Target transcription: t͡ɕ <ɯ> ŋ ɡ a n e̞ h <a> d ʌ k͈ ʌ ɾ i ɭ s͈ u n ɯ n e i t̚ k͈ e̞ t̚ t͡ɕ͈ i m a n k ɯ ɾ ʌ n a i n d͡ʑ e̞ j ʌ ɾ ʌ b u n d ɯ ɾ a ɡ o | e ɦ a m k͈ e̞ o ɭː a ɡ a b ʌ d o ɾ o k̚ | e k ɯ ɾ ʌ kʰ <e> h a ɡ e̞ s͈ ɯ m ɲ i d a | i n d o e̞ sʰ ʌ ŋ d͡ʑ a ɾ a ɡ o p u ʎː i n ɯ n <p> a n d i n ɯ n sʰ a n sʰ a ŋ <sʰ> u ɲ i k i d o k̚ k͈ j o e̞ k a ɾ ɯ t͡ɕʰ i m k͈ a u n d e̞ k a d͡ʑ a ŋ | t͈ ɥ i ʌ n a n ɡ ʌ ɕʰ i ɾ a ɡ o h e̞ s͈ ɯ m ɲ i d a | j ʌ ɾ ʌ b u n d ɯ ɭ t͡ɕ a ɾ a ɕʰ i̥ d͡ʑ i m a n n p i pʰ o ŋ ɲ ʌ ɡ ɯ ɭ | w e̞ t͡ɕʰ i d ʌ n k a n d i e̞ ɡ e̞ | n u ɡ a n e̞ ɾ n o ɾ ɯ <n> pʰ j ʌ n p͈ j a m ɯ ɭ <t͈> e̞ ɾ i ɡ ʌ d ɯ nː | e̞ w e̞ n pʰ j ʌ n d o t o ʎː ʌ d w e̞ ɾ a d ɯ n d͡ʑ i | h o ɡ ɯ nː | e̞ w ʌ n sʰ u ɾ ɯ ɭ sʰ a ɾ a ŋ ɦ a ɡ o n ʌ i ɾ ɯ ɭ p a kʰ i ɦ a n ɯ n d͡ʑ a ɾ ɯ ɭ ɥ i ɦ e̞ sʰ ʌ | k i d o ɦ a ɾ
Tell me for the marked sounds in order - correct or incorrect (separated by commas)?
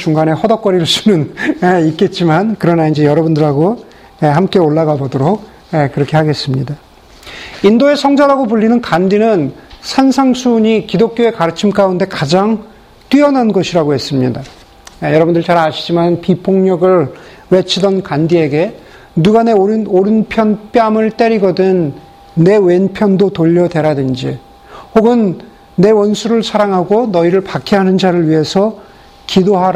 incorrect, incorrect, correct, incorrect, correct, correct, correct